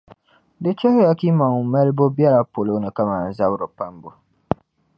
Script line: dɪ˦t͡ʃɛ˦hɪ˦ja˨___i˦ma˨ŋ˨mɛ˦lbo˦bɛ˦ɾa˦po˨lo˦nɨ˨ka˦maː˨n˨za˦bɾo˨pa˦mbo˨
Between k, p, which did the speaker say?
k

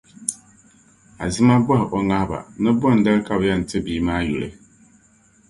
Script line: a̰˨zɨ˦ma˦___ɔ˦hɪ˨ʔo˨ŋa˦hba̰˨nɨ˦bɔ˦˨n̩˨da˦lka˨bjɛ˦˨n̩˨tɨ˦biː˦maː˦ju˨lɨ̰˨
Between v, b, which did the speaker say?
b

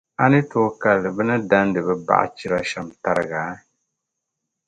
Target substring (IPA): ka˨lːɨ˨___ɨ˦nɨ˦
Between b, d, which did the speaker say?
b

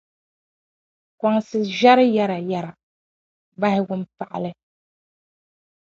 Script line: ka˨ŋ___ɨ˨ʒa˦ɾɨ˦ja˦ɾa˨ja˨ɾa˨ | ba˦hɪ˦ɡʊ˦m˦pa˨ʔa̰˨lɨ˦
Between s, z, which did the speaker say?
s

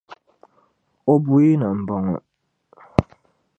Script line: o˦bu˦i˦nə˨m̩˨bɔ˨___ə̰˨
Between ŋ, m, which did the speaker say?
ŋ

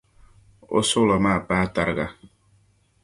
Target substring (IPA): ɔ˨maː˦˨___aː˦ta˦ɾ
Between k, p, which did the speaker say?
p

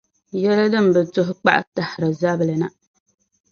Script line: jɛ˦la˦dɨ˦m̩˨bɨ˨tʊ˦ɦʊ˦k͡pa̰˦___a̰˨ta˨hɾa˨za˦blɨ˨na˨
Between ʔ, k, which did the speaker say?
ʔ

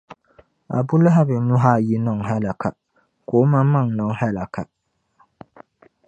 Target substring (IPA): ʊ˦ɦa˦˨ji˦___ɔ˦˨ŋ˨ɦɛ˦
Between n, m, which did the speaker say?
n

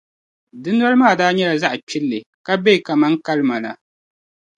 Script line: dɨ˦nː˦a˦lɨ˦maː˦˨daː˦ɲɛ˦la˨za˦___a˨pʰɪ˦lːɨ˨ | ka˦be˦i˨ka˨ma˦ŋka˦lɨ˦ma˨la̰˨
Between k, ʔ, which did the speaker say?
ʔ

